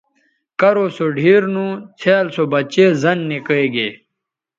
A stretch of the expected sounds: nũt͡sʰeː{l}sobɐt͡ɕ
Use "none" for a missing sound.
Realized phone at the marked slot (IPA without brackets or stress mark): l